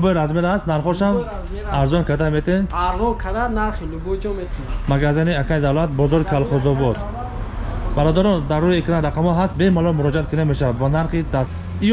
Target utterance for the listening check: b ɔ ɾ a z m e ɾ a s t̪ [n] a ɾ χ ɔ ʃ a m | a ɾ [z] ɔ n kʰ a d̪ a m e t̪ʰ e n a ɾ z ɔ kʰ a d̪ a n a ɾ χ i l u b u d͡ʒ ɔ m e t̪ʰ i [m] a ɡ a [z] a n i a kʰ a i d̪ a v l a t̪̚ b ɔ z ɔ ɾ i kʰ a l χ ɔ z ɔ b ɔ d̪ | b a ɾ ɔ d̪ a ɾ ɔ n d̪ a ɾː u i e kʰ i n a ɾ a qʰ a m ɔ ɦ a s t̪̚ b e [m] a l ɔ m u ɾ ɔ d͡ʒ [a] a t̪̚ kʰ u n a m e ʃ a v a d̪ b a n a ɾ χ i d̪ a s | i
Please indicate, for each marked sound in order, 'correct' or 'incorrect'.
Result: correct, correct, correct, correct, correct, incorrect

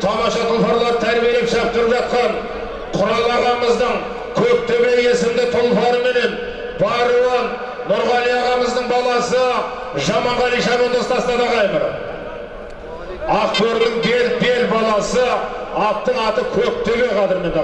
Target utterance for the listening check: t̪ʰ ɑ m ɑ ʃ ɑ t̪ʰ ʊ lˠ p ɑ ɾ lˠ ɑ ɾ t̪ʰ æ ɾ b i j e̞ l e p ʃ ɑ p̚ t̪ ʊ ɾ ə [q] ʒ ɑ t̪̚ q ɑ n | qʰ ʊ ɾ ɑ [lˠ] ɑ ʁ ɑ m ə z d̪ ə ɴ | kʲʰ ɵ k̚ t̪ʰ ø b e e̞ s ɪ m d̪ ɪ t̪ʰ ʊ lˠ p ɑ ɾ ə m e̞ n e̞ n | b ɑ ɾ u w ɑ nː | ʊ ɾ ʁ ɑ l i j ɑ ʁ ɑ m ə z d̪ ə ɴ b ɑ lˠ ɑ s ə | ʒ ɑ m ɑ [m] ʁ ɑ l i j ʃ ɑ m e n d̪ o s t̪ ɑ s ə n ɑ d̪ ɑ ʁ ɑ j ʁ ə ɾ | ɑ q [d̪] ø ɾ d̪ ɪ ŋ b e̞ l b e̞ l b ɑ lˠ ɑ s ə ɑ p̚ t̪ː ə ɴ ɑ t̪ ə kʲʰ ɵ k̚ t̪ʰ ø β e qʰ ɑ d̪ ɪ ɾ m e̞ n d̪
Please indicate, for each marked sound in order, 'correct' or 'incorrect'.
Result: incorrect, correct, incorrect, incorrect

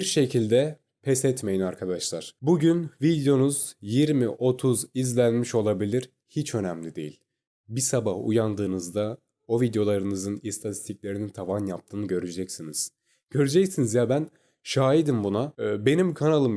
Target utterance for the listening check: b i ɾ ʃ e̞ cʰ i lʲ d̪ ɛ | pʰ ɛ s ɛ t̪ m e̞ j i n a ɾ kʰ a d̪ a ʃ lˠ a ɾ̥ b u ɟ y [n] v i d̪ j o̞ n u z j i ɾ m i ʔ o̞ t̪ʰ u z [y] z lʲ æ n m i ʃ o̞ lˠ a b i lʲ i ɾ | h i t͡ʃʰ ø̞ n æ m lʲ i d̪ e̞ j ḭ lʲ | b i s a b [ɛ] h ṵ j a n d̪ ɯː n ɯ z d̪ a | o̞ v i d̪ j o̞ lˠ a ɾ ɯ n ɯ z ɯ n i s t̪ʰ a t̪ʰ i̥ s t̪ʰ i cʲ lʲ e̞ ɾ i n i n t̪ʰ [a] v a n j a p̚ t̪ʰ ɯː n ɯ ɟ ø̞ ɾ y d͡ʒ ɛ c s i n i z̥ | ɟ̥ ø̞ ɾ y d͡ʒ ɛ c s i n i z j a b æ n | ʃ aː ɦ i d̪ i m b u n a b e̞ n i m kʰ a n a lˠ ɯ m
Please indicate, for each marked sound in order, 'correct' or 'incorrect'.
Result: correct, incorrect, incorrect, correct

